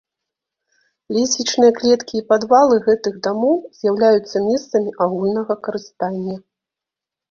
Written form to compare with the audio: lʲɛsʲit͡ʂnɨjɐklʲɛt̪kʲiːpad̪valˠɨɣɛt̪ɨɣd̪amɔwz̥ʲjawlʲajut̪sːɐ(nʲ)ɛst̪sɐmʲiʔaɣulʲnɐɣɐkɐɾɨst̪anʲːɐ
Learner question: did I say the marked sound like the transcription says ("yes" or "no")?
no